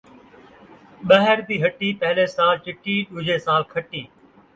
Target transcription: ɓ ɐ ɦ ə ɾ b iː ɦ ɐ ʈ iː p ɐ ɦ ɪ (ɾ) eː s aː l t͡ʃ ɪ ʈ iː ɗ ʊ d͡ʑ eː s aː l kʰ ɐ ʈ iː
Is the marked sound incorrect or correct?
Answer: incorrect: l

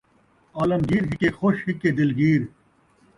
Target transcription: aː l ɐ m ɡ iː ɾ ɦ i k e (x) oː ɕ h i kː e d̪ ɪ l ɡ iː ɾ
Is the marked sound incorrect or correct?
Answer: correct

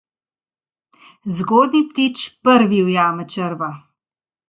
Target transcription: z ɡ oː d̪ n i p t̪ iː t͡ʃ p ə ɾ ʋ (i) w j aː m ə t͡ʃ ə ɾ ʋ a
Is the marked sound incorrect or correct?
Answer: correct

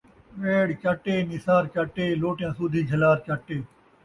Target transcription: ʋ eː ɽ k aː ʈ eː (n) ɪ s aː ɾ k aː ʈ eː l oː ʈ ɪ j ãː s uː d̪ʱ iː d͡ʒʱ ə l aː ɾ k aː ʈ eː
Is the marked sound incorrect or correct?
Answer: correct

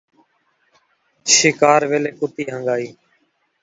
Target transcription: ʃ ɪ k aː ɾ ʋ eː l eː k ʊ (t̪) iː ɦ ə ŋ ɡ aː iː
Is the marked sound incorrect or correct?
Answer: correct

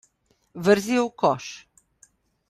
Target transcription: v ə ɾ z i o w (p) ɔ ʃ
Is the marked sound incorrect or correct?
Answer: incorrect: k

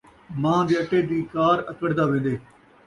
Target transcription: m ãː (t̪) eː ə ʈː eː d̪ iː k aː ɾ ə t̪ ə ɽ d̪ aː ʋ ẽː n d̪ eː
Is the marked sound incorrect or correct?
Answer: incorrect: d̪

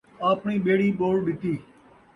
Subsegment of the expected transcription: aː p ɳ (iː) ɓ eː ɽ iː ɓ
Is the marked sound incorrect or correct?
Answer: correct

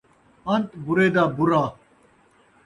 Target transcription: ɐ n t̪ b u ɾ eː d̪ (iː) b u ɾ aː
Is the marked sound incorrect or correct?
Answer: incorrect: aː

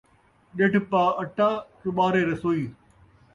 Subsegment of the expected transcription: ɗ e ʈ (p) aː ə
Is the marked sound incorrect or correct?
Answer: correct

